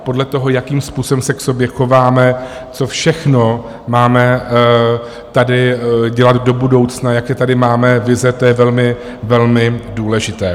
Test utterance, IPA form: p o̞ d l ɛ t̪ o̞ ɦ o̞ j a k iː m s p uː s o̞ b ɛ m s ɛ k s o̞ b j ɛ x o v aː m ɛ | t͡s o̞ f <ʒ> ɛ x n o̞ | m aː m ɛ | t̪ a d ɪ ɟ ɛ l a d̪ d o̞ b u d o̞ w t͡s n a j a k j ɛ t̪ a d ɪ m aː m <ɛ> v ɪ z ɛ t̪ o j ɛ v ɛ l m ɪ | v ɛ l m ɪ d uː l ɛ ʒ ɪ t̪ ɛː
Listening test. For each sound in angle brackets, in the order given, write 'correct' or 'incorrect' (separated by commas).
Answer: incorrect, correct